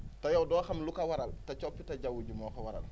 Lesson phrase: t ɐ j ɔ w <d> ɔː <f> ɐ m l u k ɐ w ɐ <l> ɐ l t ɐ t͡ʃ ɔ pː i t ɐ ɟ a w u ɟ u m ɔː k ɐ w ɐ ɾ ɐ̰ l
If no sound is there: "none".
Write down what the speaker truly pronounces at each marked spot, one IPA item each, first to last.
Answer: d, x, ɾ

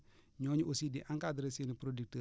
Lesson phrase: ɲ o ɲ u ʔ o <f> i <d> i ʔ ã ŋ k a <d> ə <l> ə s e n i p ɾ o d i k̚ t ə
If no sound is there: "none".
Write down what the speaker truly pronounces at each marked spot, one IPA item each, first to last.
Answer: s, d, d, ɾ

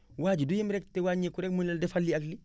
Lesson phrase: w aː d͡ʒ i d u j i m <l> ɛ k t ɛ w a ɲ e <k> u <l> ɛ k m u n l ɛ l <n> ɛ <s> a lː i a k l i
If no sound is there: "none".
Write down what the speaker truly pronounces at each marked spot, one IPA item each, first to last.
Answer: ɾ, k, ɾ, d, f

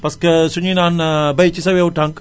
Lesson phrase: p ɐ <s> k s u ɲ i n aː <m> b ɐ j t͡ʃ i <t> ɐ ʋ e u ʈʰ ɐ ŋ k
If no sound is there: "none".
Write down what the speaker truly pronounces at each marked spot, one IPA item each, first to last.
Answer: s, n, s

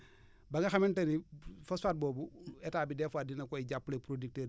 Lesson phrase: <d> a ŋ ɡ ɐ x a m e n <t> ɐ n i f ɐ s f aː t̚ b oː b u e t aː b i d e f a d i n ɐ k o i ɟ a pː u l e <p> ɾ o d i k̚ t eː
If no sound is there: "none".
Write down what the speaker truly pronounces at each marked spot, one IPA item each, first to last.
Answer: b, t, p

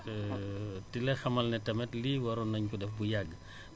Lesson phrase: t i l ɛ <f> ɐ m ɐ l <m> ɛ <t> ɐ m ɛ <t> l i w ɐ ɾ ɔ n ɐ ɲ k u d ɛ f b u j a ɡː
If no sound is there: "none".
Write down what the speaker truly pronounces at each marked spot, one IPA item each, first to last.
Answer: x, n, t, t

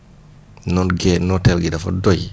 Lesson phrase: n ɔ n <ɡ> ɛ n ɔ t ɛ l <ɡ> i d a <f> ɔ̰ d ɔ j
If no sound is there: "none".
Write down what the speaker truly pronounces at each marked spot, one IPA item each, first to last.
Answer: ɡ, ɡ, f

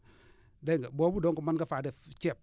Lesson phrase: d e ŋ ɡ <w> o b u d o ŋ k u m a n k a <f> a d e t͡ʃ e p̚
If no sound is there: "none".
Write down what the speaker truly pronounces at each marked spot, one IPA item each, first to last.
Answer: b, f

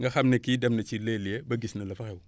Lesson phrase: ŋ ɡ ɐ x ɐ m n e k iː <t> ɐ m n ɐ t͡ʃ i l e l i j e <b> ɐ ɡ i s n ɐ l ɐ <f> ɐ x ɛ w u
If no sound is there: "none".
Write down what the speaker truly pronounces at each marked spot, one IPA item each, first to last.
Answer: d, b, f

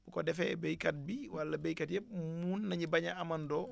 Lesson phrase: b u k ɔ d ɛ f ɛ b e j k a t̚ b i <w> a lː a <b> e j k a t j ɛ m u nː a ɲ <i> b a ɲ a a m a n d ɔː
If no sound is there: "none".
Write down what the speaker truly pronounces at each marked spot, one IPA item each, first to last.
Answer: w, b, i

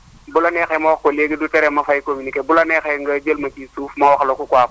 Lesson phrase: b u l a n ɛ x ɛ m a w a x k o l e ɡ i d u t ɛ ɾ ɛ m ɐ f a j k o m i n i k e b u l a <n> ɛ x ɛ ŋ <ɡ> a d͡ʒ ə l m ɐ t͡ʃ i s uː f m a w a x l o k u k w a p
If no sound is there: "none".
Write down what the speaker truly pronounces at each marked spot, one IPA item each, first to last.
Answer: n, ɡ

